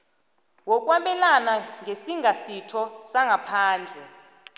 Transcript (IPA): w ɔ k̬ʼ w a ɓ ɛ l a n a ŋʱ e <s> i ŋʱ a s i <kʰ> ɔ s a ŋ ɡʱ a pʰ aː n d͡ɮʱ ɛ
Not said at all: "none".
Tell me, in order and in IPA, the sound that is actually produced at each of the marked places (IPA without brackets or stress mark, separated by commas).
s, tʰ